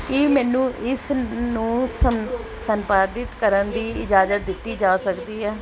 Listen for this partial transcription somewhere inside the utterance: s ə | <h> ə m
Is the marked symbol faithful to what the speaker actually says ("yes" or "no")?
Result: no